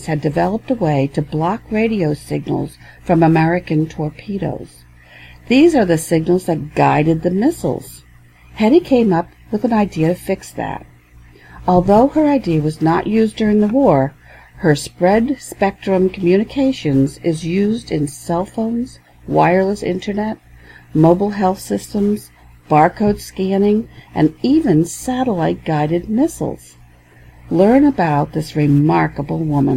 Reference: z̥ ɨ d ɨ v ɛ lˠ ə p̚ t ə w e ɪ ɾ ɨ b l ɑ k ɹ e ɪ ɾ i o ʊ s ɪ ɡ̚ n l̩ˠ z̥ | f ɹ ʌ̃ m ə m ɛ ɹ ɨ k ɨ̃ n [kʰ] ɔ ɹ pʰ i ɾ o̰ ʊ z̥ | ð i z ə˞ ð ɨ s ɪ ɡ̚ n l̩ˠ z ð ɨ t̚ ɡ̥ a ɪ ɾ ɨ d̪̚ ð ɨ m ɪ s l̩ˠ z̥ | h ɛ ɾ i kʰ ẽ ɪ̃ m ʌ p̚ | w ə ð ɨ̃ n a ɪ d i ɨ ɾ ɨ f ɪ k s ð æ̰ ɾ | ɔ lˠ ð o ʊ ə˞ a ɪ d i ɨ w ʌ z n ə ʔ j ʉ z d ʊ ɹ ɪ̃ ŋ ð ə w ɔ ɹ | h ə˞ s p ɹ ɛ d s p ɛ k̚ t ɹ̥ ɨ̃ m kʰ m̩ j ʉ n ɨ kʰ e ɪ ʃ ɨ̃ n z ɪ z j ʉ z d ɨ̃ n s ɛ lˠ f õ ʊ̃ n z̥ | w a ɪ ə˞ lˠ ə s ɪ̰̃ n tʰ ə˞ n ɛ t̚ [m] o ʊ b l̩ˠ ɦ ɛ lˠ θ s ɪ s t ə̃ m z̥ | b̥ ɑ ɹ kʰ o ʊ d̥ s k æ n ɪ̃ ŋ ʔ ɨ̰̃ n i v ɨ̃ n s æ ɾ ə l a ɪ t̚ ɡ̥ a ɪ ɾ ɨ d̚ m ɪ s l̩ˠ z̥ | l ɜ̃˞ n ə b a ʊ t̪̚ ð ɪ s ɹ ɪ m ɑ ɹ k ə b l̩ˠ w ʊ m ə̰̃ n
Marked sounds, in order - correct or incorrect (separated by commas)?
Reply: incorrect, correct